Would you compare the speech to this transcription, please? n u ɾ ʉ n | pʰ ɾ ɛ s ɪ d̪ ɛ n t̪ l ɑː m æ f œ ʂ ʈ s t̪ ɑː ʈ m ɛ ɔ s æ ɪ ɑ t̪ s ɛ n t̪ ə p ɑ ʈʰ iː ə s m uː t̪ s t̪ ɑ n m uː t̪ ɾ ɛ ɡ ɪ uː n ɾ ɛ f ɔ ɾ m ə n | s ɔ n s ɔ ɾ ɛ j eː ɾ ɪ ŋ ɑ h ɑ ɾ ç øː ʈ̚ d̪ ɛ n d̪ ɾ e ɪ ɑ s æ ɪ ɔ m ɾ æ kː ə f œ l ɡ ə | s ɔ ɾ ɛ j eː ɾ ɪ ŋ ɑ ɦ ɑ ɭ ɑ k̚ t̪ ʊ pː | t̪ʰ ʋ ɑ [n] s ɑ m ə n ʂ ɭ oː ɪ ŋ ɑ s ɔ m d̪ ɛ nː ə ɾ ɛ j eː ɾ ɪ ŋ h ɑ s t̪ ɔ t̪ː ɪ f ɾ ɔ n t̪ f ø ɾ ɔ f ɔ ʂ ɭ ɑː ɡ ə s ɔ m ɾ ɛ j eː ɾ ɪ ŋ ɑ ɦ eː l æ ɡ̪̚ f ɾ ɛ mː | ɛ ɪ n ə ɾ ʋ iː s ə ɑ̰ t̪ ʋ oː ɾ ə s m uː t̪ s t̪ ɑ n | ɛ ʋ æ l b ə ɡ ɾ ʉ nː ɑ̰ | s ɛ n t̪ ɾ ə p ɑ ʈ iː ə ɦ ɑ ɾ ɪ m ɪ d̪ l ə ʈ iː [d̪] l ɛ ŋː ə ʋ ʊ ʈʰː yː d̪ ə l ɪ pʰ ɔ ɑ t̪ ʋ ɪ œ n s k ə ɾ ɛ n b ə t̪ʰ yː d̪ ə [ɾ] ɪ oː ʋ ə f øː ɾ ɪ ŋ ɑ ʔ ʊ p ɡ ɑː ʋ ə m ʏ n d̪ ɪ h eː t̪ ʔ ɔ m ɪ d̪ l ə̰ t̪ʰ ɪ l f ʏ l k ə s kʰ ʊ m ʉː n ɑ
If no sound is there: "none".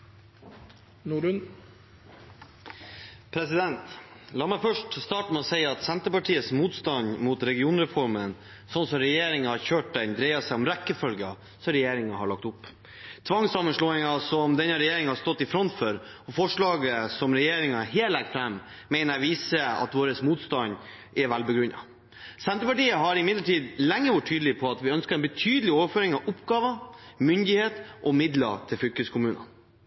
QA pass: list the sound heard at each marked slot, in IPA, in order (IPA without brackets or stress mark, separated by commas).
ŋ, d̪, l